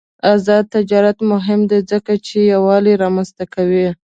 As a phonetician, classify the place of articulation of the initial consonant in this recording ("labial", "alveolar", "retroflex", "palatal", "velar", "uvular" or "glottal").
alveolar